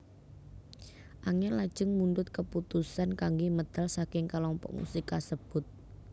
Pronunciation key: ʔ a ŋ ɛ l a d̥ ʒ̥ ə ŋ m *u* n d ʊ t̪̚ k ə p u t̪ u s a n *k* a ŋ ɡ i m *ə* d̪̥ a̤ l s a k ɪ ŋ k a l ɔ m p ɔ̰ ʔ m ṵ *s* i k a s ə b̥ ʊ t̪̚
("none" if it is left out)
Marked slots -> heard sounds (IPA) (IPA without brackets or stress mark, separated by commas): u, k, ə, s